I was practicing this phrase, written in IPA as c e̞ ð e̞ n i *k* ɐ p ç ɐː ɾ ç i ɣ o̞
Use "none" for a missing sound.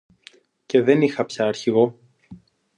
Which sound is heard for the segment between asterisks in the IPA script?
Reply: x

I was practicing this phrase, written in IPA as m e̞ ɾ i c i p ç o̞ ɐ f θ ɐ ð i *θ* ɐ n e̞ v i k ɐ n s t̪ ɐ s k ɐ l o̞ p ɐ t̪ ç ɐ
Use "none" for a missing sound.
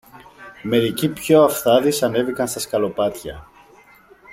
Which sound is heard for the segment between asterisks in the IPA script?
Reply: s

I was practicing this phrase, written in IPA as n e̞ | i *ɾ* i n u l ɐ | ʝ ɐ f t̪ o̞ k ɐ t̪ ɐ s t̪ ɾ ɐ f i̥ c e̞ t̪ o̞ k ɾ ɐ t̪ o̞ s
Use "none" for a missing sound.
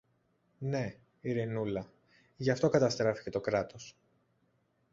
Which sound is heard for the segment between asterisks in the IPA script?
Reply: ɾ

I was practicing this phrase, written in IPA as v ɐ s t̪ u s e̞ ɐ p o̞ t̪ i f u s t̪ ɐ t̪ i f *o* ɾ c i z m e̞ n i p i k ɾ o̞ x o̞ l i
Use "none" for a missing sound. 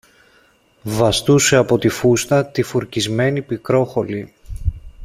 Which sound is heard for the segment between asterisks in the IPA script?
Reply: u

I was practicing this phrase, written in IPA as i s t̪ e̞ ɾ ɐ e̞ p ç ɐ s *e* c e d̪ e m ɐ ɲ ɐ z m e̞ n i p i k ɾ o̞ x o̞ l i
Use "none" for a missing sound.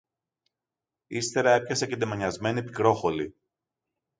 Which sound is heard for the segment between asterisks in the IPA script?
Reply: e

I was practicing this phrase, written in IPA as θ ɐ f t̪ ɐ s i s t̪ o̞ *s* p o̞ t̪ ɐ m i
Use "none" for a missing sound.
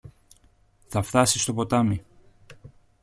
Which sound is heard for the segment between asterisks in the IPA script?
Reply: none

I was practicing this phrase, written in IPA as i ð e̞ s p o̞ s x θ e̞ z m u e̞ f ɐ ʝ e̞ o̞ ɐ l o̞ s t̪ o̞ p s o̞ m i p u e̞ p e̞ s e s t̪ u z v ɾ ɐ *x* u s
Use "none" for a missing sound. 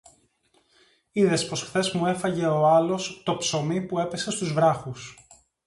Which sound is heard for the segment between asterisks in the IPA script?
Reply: x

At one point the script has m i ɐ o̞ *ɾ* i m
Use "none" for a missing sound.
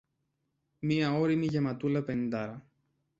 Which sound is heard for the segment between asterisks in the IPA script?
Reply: ɾ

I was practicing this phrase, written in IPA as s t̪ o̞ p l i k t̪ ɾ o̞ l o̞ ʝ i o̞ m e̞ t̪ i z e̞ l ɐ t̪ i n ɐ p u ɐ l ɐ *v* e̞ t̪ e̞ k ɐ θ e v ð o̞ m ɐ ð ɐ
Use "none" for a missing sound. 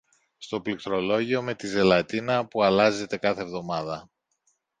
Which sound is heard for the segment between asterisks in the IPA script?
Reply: z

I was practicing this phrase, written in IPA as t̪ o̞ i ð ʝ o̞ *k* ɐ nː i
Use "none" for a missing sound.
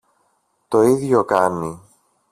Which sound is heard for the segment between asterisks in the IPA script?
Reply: k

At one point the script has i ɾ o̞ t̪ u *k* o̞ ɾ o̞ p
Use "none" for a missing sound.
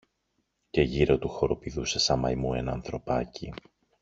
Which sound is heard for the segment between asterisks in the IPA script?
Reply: x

